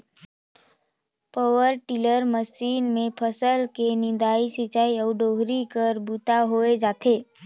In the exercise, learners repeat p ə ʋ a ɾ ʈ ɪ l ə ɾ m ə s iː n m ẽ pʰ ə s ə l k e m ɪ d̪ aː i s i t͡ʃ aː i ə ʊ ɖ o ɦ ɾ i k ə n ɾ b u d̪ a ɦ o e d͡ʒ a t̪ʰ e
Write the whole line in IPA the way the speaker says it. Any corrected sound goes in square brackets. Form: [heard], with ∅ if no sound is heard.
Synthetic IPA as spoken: p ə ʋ [ə] ɾ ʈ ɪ l ə ɾ m ə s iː n m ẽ pʰ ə s ə l k e [n] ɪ d̪ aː i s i t͡ʃ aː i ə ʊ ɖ o ɦ ɾ i k ə [∅] ɾ b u [t̪] a ɦ o e d͡ʒ a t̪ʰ e